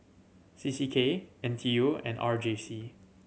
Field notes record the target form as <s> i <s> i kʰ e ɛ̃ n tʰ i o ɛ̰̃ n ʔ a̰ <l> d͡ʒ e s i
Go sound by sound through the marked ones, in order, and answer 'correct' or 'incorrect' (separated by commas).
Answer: correct, correct, incorrect